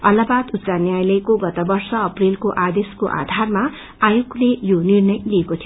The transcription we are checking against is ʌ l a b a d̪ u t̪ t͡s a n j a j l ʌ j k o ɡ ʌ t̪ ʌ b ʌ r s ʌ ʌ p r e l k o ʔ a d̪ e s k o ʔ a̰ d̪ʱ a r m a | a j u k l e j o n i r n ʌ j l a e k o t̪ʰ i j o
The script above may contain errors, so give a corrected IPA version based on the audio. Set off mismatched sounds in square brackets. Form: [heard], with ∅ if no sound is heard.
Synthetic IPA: ʌ l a b a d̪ u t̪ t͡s a n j a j l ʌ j k o ɡ ʌ t̪ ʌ b ʌ r s ʌ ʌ p r e l k o ʔ a d̪ e s k o ʔ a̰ d̪ʱ a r m a | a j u k l e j o n i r n ʌ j l [i] e k o t̪ʰ i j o